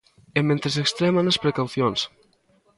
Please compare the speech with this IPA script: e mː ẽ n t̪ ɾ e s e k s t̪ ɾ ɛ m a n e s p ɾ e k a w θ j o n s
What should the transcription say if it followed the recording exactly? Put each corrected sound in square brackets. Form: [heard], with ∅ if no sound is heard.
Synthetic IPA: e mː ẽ n t̪ ɾ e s e k s t̪ ɾ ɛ m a n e s p ɾ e k a w θ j o n s